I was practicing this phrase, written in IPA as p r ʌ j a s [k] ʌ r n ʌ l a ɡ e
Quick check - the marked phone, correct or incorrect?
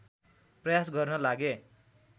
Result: incorrect